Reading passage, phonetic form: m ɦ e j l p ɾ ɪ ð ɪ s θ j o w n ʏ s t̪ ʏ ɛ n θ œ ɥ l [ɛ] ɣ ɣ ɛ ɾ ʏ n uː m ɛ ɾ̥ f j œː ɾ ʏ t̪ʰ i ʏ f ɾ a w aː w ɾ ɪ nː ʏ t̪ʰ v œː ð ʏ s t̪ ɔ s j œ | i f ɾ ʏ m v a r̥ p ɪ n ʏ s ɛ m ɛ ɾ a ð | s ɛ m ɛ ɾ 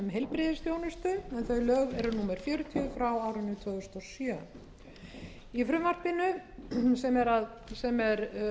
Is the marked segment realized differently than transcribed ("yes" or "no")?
yes